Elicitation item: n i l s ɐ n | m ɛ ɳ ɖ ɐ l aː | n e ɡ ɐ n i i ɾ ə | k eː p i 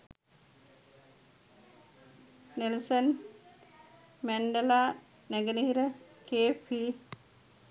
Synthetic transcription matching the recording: n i l s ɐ n | m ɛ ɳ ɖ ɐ l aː | n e ɡ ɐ n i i ɾ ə | k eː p i